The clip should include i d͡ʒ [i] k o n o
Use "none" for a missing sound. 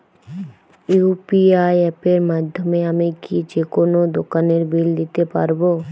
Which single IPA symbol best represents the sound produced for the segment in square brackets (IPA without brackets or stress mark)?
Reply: e